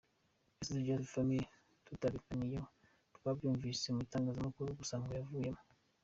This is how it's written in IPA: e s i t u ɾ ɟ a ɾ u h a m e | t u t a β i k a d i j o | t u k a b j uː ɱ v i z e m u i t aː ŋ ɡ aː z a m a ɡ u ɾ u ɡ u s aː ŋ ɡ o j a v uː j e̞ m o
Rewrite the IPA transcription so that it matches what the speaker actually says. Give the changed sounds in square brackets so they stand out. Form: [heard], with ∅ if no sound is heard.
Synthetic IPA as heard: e s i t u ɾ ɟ a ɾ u [f] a m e | t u t a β i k a [n] i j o | t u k a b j uː ɱ v i [s] e m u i t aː ŋ ɡ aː z a m a [k] u ɾ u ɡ u s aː ŋ ɡ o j a v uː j e̞ m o